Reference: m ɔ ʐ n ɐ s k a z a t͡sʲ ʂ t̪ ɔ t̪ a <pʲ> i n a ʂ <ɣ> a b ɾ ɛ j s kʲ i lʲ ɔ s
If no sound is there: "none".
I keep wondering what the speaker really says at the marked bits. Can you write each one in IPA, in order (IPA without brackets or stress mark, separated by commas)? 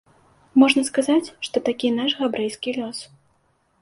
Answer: kʲ, ɣ